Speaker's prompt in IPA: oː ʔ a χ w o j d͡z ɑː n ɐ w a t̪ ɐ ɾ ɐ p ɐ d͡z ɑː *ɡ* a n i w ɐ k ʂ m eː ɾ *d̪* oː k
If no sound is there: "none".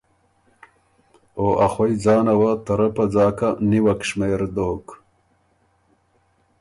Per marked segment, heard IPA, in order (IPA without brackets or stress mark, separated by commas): k, d̪